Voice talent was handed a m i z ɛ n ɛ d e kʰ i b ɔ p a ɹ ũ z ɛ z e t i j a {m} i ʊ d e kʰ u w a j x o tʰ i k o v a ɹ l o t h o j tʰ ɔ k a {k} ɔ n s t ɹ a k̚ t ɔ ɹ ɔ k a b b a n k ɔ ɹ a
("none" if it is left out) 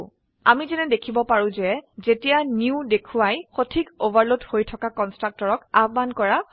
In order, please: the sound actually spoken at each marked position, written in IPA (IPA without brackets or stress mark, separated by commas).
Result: n, k